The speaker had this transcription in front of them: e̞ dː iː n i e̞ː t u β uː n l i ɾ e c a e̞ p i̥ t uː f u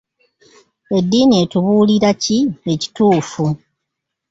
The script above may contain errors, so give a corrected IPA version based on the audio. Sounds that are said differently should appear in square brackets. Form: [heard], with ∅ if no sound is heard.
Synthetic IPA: e̞ dː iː n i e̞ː t u β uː [∅] l i ɾ [a] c [i] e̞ [c] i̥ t uː f u